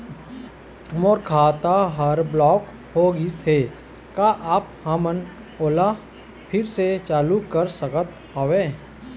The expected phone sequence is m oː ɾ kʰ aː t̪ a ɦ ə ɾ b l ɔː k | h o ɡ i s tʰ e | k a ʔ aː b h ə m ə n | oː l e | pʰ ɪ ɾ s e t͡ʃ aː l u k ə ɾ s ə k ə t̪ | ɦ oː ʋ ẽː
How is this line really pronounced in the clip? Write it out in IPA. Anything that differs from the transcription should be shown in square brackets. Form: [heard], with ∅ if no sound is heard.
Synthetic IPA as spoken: m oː ɾ kʰ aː t̪ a ɦ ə ɾ b l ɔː k | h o ɡ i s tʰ e | k a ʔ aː [p] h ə m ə n | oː l [a] | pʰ ɪ ɾ s e t͡ʃ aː l u k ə ɾ s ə k ə t̪ | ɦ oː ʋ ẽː